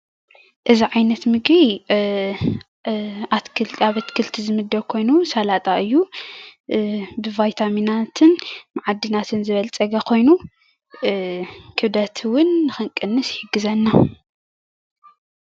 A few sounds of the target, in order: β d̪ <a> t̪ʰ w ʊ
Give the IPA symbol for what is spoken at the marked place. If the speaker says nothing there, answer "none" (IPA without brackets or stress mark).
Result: ɐ